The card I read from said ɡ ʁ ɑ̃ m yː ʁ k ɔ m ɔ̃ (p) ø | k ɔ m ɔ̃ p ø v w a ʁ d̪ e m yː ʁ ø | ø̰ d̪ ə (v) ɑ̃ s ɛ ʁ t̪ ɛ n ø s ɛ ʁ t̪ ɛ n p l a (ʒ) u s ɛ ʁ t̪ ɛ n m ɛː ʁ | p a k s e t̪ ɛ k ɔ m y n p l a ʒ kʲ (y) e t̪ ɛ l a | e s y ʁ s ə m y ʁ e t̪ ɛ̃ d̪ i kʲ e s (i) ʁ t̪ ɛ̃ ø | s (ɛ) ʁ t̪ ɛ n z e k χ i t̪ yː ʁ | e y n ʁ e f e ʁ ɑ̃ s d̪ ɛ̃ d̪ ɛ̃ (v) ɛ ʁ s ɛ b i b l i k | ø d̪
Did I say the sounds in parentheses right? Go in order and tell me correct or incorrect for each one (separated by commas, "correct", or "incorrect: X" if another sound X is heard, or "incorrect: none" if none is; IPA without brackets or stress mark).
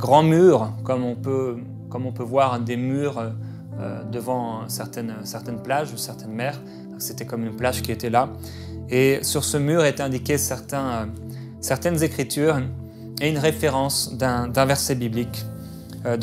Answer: correct, correct, correct, incorrect: i, incorrect: ɛ, correct, correct